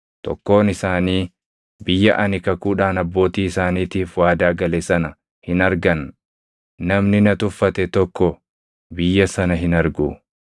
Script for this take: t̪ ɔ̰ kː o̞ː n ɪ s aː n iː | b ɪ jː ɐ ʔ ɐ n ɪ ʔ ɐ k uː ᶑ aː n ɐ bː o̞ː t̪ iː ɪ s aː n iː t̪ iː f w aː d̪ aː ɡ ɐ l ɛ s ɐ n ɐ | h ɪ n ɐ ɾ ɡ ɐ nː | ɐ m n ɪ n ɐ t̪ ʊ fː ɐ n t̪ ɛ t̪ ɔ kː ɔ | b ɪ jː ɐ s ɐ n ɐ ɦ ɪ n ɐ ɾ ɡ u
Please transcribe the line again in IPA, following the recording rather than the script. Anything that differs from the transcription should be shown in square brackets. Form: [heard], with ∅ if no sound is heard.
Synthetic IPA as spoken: t̪ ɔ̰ kː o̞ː n ɪ s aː n iː | b ɪ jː ɐ ʔ ɐ n ɪ [k] ɐ k uː ᶑ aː n ɐ bː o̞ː t̪ iː ɪ s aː n iː t̪ iː f w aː d̪ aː ɡ ɐ l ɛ s ɐ n ɐ | h ɪ n ɐ ɾ ɡ ɐ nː | ɐ m n ɪ n ɐ t̪ ʊ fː ɐ [∅] t̪ ɛ t̪ ɔ kː ɔ | b ɪ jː ɐ s ɐ n ɐ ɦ ɪ n ɐ ɾ ɡ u